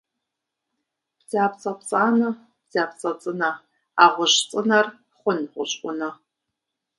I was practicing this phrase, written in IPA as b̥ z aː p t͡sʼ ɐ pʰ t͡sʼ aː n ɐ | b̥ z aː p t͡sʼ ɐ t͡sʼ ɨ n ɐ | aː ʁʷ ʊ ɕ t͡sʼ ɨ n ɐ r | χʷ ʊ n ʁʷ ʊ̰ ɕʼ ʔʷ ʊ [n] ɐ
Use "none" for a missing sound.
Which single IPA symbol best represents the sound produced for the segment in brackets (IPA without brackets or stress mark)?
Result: n